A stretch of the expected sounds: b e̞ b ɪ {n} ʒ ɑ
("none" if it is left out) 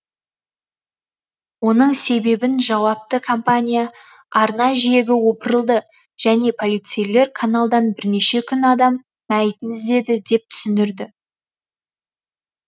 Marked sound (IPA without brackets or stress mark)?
n